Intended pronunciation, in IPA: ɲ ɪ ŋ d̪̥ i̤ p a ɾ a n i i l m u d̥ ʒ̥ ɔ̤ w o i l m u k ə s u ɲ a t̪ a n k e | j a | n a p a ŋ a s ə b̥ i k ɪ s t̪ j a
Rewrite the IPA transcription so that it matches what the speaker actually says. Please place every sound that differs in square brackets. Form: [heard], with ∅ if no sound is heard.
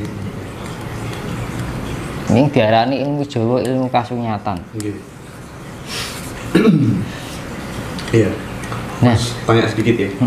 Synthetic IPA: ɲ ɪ ŋ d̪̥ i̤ [∅] a ɾ a n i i l m u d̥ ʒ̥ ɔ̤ w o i l m u k [a] s u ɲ a t̪ a n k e | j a | n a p a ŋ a s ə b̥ i k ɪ [∅] t̪ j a